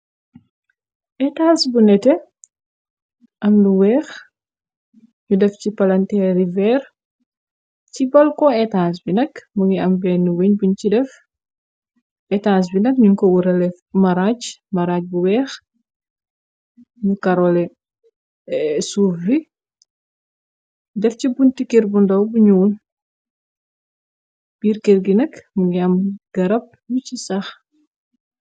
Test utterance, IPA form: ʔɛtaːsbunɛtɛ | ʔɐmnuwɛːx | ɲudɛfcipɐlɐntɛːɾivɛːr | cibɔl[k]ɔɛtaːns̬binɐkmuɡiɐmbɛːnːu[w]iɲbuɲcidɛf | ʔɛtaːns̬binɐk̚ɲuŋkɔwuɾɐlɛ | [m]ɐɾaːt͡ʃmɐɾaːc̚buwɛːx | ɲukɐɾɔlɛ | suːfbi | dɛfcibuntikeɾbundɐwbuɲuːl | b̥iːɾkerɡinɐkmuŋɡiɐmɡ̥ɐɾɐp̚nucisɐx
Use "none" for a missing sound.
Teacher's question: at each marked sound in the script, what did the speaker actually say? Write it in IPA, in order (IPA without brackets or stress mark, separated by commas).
k, w, m